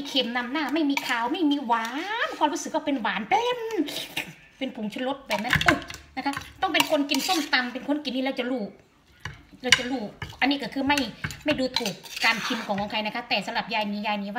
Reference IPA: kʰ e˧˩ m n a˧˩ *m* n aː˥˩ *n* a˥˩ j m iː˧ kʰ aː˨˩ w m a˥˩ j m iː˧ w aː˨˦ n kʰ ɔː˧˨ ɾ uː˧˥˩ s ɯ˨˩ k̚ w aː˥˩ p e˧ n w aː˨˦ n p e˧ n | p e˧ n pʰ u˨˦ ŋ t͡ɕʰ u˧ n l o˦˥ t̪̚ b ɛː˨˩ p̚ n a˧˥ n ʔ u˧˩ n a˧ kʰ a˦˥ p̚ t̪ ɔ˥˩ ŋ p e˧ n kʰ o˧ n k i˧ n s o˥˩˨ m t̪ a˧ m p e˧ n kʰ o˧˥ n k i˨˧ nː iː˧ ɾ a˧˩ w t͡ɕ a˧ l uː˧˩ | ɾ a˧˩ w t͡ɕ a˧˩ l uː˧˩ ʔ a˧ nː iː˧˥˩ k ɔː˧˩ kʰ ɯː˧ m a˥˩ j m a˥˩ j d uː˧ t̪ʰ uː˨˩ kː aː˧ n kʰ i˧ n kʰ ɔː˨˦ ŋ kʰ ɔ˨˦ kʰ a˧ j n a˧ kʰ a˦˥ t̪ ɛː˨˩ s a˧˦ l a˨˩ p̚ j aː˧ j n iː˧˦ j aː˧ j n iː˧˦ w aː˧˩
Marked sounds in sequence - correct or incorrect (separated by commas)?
correct, incorrect